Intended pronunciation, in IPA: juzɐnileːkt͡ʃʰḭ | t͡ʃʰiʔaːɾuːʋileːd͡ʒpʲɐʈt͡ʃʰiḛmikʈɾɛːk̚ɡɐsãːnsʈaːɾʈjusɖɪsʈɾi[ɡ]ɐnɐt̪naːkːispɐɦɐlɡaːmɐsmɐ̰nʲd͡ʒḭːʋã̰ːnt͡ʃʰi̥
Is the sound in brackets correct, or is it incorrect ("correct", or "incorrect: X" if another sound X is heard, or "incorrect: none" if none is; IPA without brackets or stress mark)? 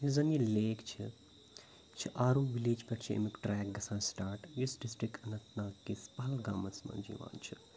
incorrect: k